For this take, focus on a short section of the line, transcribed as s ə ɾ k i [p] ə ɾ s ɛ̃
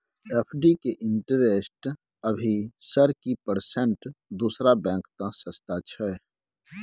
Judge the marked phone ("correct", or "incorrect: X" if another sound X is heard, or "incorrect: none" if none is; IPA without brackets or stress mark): correct